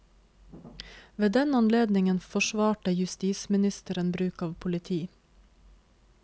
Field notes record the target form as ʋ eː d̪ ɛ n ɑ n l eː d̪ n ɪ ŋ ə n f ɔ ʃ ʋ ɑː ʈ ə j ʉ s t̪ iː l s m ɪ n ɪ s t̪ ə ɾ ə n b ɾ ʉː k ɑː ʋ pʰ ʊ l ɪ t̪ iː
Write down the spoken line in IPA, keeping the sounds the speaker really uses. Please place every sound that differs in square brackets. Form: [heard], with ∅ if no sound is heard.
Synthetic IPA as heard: ʋ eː d̪ ɛ n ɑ n l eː d̪ n ɪ ŋ ə n f ɔ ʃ ʋ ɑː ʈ ə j ʉ s t̪ iː [∅] s m ɪ n ɪ s t̪ ə ɾ ə n b ɾ ʉː k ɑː ʋ pʰ ʊ l ɪ [t̪ʰ] iː